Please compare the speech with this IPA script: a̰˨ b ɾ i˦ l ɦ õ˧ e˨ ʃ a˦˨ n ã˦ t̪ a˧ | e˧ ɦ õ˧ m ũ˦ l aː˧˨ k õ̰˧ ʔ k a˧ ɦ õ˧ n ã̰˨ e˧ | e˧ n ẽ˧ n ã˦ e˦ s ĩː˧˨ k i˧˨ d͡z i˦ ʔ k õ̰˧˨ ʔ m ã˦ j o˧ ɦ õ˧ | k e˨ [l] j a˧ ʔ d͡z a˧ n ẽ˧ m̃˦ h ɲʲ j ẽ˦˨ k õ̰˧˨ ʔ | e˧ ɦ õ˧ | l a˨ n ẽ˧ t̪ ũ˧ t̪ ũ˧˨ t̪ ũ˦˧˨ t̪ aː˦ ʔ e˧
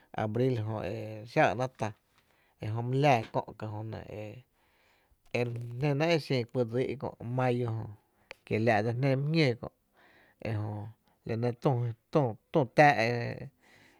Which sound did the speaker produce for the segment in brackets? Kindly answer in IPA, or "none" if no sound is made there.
l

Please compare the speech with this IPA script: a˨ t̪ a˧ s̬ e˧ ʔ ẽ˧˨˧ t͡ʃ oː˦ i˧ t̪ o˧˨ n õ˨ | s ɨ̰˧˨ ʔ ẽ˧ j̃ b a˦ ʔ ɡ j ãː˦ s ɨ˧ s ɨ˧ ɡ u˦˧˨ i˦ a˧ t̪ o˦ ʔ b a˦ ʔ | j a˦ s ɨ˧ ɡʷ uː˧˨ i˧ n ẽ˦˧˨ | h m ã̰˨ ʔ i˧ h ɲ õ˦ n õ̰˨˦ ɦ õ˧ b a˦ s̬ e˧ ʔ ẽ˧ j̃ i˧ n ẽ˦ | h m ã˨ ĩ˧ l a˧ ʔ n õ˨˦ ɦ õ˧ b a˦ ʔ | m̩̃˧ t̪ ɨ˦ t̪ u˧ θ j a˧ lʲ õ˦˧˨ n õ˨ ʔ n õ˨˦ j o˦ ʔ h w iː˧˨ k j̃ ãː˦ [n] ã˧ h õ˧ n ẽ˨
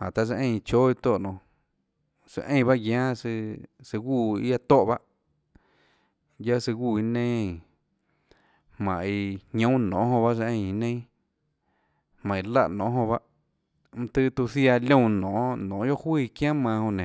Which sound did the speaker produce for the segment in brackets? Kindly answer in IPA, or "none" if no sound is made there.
m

